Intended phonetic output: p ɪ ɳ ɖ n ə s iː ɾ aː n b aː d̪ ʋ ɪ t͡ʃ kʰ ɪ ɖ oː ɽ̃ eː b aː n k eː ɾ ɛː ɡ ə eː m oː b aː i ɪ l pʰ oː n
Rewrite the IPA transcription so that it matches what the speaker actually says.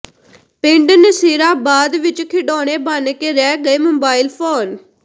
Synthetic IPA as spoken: p ɪ ɳ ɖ n ə s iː ɾ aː b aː d̪ ʋ ɪ t͡ʃ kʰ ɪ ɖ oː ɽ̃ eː b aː n k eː ɾ ɛː ɡ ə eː m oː b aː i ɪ l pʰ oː n